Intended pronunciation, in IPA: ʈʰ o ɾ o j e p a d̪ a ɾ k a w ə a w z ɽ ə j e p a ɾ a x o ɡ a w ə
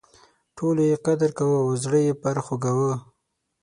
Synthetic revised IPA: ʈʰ o l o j e q a d̪ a ɾ k a w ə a w z ɽ ə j e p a ɾ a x o ɡ a w ə